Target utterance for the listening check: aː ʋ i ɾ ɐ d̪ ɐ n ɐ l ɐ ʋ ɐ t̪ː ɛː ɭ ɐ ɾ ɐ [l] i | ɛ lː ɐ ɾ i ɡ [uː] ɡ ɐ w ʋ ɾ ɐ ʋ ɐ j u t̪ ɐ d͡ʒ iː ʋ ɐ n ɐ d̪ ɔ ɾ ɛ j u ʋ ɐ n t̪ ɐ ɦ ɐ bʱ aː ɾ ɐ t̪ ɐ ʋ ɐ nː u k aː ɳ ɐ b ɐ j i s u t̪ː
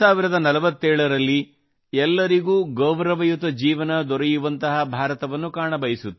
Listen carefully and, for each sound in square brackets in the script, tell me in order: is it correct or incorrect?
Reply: incorrect, correct

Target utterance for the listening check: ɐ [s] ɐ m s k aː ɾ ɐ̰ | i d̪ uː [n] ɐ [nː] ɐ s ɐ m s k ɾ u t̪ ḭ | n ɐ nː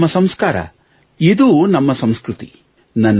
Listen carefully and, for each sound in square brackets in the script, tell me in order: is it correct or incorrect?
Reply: correct, correct, incorrect

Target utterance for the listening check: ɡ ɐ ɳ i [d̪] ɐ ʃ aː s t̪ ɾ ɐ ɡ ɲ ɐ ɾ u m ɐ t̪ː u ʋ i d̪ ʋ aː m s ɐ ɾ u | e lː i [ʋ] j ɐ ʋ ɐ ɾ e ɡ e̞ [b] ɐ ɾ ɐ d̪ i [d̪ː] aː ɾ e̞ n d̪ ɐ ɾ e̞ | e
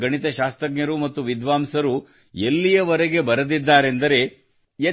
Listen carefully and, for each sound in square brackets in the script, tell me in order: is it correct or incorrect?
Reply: incorrect, incorrect, correct, correct

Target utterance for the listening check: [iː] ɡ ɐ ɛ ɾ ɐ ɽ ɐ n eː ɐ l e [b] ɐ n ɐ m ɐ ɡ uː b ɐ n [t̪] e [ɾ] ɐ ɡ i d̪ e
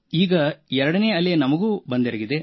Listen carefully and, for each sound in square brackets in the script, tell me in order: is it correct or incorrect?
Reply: correct, incorrect, incorrect, correct

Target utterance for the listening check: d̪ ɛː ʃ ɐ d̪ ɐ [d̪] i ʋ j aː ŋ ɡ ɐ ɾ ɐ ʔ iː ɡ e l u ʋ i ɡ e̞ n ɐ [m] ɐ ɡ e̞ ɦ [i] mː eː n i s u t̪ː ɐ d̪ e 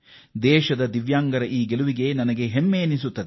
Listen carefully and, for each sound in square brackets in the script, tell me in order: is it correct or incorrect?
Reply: correct, incorrect, incorrect

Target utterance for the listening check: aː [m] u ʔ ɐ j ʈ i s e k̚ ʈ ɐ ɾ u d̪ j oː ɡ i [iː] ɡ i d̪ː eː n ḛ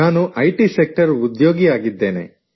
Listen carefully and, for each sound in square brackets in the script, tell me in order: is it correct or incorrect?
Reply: incorrect, incorrect

